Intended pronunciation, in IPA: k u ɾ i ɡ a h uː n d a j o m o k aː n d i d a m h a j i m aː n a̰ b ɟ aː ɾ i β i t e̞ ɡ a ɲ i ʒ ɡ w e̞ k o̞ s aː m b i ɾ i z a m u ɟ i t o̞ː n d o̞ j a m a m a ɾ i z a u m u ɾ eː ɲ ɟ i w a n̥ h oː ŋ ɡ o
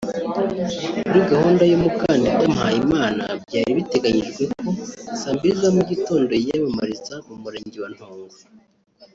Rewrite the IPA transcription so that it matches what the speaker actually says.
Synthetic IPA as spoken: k u ɾ i ɡ a h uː n d a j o m u k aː n d i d a m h a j i m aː n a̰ b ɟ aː ɾ i β i t e̞ ɡ a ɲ i ʒ ɡ w e̞ k o̞ s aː m b i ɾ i z a m u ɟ i t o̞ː n d o̞ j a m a m a ɾ i z a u m u ɾ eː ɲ ɟ i w a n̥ h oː ŋ ɡ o